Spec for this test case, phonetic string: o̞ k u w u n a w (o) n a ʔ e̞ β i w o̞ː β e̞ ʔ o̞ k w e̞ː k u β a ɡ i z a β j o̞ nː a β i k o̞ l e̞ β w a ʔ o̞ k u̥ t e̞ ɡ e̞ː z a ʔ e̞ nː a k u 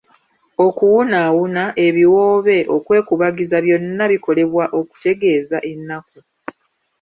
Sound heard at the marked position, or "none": u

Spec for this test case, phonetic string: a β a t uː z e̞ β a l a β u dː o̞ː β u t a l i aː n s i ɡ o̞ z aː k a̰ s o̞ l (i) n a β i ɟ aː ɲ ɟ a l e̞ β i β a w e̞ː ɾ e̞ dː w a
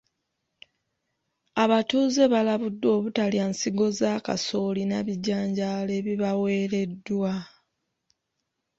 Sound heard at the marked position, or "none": i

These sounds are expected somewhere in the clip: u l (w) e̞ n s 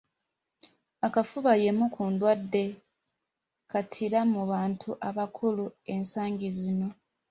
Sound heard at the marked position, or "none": u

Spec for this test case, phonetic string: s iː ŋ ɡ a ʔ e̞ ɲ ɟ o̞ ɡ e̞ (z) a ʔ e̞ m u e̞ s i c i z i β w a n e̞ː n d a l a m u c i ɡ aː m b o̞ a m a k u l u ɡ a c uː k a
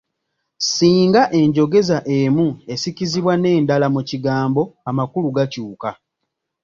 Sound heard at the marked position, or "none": z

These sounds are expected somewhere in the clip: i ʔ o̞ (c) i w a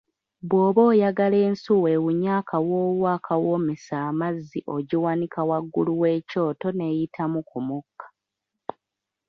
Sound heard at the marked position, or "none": ɟ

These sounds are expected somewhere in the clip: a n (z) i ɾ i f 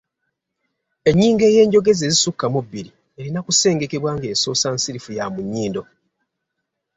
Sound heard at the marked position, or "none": s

